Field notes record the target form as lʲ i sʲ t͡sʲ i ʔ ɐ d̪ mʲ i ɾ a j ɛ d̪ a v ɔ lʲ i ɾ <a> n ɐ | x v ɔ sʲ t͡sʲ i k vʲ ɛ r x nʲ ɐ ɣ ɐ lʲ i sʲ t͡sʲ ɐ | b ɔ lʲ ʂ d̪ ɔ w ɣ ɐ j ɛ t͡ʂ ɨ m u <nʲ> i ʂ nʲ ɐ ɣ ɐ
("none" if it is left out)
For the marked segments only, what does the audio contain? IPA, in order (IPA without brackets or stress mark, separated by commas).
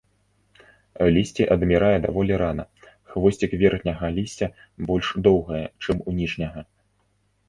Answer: a, nʲ